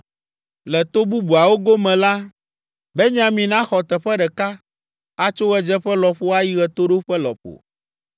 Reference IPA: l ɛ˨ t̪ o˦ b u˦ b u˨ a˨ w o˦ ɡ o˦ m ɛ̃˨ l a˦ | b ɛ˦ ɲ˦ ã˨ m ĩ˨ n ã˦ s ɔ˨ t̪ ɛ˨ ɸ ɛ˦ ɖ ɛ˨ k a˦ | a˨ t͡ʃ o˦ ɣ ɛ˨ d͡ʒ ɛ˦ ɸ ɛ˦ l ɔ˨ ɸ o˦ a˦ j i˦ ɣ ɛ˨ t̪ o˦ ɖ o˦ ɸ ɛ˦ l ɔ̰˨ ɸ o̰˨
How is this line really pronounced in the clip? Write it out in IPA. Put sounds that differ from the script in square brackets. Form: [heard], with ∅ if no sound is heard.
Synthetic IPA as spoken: l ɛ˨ t̪ o˦ b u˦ b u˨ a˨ w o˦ ɡ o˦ m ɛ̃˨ l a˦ | b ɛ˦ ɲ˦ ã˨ m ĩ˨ n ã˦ [x] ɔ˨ t̪ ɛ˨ ɸ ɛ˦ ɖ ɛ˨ k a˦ | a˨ t͡ʃ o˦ ɣ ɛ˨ d͡ʒ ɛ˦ ɸ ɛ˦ l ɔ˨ ɸ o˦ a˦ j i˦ ɣ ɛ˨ t̪ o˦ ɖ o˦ ɸ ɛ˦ l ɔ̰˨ ɸ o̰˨